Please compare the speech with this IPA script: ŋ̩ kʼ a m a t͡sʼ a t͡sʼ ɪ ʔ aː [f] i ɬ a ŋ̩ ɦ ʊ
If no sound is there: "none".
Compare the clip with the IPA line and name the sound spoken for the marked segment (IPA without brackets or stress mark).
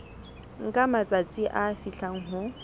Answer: f